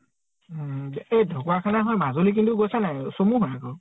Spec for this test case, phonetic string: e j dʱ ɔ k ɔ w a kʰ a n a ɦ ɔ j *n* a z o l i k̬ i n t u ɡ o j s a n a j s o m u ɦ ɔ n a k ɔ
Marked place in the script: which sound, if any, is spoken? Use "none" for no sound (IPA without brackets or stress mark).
m